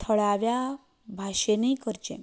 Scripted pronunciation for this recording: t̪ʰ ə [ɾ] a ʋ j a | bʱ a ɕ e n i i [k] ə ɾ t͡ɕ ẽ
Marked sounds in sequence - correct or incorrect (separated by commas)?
incorrect, correct